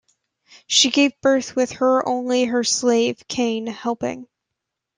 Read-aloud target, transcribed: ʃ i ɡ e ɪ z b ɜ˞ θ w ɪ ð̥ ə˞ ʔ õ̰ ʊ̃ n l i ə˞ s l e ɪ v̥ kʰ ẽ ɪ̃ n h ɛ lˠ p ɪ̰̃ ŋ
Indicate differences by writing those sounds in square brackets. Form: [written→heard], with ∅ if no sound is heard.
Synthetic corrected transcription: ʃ i ɡ e ɪ [z→v] b ɜ˞ θ w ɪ ð̥ ə˞ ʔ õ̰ ʊ̃ n l i ə˞ s l e ɪ v̥ kʰ ẽ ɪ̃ n h ɛ lˠ p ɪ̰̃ ŋ